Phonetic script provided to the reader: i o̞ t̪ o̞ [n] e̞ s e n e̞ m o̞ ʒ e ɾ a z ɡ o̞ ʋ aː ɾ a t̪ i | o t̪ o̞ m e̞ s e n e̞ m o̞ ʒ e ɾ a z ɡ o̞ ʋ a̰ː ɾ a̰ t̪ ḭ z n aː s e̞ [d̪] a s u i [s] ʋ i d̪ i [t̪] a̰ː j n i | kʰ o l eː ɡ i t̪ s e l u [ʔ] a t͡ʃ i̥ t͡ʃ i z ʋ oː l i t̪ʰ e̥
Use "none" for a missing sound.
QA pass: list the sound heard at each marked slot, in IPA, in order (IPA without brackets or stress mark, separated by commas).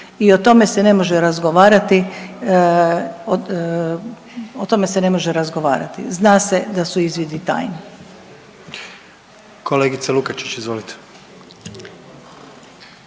m, d̪, z, t̪, k